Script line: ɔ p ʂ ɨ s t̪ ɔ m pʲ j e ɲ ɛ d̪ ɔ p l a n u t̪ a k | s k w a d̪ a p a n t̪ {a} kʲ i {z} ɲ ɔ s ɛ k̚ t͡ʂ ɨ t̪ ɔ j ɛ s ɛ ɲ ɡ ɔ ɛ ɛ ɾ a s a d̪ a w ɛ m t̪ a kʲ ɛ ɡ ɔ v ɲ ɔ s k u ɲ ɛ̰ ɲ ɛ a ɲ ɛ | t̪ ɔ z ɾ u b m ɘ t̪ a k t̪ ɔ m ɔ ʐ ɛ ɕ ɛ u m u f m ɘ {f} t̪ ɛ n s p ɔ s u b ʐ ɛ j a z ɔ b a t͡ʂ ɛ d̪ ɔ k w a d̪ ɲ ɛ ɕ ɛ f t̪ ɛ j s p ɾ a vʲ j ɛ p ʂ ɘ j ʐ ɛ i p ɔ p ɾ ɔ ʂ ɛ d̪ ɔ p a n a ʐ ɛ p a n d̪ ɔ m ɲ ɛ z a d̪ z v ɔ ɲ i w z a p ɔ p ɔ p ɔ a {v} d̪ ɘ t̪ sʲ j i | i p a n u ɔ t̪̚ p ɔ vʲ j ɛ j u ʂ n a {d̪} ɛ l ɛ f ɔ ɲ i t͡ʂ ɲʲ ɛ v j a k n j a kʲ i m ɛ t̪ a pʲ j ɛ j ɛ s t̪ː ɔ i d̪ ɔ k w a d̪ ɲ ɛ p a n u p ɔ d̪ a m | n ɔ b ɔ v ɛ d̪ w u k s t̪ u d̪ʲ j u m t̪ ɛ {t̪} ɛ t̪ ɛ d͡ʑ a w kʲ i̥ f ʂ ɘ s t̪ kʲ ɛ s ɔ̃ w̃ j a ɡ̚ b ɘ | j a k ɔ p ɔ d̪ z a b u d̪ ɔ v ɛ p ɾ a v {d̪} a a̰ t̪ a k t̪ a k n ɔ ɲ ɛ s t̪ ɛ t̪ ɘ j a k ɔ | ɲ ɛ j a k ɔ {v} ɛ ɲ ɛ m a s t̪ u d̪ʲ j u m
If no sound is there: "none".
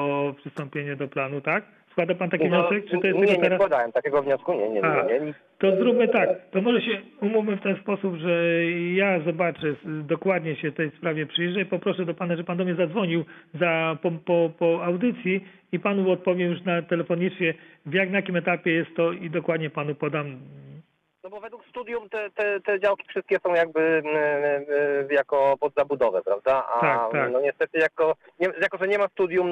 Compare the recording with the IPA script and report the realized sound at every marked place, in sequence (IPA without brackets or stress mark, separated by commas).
a, v, f, w, t̪, t̪, d̪, ʐ